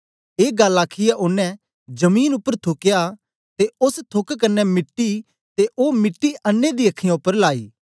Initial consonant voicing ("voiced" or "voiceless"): voiced